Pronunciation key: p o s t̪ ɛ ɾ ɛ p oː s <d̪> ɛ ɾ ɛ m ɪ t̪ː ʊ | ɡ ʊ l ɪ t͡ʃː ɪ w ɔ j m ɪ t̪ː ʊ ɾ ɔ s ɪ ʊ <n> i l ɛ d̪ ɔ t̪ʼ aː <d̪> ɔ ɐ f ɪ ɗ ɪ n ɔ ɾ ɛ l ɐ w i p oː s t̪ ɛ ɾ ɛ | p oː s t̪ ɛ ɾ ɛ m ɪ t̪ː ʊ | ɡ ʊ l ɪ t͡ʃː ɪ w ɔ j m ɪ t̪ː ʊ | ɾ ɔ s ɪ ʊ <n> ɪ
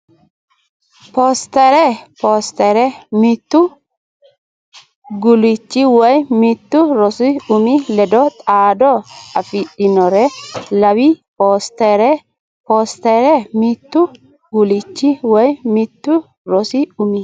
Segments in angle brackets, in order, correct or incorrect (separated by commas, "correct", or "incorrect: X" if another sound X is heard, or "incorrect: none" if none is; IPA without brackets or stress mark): incorrect: t̪, incorrect: m, correct, incorrect: m